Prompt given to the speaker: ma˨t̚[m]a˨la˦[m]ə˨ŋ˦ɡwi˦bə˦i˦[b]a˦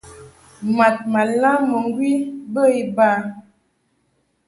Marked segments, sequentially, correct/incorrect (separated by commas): correct, correct, correct